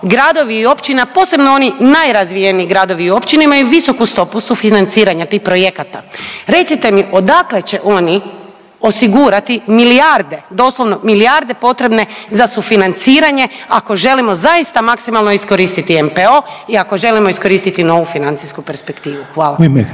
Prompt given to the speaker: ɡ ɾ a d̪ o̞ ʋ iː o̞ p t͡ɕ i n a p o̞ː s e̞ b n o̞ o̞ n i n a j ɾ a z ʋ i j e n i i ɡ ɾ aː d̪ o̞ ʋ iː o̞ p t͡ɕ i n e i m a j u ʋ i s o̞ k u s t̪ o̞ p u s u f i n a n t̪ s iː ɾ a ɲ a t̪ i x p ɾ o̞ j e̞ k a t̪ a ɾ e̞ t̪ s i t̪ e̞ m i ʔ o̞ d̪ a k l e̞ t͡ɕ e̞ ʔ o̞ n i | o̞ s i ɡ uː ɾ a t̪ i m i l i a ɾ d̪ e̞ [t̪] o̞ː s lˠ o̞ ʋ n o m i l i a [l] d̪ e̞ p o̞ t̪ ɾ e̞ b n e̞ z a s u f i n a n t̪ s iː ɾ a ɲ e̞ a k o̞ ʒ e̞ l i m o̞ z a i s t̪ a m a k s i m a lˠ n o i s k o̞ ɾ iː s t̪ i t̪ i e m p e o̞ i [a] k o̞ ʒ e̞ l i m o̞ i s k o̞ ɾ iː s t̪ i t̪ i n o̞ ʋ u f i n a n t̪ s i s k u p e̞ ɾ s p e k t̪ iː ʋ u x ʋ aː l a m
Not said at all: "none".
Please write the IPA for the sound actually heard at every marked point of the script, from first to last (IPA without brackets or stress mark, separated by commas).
d̪, ɾ, a